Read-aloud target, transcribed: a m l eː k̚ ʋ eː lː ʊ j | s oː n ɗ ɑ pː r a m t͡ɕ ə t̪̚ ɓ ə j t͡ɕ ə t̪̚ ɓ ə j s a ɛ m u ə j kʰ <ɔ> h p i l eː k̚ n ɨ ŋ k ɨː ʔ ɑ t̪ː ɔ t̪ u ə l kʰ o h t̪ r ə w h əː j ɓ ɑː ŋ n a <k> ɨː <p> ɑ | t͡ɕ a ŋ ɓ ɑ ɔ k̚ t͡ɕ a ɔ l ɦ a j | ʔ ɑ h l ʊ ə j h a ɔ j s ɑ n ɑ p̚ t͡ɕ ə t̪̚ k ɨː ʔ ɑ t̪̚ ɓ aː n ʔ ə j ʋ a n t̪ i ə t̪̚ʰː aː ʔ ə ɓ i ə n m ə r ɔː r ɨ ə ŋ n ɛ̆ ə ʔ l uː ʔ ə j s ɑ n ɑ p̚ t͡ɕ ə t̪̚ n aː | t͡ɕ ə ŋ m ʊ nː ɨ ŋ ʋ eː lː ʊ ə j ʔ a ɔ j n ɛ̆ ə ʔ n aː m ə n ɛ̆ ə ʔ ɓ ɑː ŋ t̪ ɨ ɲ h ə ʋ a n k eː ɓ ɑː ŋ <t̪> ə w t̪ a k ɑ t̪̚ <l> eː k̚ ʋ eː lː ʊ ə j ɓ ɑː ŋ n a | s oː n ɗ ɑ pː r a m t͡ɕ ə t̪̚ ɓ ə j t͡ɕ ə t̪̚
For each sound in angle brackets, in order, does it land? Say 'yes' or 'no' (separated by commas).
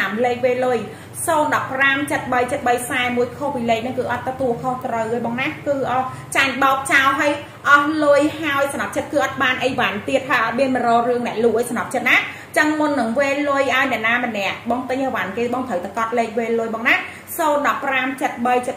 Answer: no, yes, no, no, yes